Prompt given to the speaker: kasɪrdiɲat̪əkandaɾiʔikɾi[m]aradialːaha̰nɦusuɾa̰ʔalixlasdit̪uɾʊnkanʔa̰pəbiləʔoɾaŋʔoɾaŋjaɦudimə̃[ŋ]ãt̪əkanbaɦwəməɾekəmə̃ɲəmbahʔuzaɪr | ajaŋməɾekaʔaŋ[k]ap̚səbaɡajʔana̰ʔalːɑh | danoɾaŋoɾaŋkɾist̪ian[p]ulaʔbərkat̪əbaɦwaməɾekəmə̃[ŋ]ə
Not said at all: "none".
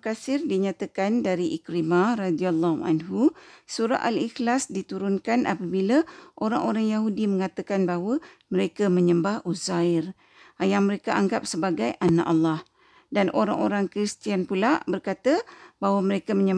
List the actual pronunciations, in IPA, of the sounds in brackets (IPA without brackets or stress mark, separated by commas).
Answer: m, ŋ, ɡ, p, ɲ